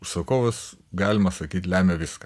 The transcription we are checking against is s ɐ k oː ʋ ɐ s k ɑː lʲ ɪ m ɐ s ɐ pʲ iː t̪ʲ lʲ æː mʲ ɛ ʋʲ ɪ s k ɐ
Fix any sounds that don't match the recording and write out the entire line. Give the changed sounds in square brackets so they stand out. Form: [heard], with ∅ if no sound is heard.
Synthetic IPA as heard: s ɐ k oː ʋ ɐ s [ɡ] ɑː lʲ ɪ m ɐ s ɐ [kʲ] iː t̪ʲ lʲ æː mʲ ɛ ʋʲ ɪ s k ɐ